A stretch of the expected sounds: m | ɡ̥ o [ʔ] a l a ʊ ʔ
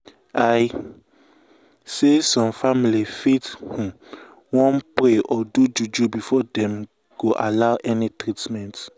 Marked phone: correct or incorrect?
correct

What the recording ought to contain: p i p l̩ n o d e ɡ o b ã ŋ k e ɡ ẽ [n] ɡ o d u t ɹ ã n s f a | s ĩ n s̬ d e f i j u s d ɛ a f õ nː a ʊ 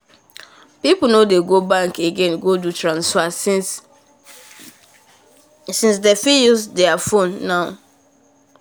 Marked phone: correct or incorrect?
correct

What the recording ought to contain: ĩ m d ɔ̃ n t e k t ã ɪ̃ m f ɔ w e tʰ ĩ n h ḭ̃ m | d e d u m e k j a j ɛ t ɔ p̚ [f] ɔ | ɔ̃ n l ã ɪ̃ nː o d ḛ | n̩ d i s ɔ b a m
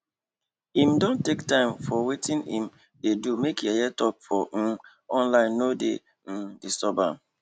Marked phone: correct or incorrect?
correct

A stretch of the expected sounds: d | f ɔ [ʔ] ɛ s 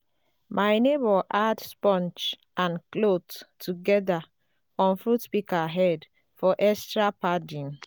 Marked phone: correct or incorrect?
correct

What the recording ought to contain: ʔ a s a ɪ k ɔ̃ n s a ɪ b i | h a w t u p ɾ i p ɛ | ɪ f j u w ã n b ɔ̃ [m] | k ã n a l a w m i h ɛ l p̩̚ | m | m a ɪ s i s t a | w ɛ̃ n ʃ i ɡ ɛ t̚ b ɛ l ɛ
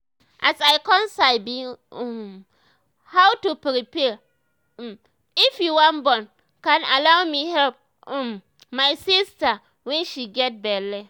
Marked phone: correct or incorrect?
incorrect: n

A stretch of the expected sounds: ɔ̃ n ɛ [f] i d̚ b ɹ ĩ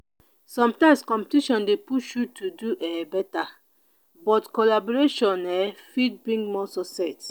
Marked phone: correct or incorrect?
correct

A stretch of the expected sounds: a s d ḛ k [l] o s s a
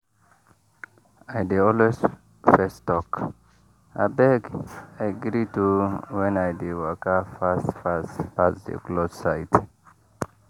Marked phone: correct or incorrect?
correct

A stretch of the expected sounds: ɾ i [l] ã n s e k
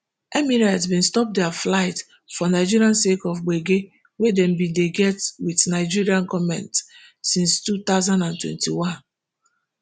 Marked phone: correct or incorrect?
incorrect: none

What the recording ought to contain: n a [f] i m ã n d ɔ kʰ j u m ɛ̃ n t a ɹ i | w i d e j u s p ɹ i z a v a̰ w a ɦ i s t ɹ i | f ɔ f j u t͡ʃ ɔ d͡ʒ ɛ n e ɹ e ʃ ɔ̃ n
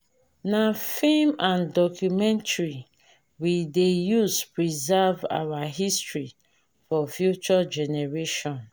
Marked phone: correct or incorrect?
correct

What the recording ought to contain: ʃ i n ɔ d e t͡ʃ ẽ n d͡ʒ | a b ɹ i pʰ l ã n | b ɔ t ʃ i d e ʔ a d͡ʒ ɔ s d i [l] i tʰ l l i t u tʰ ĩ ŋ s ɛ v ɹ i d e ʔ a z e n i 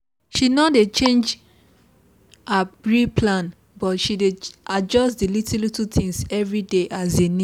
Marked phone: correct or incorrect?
correct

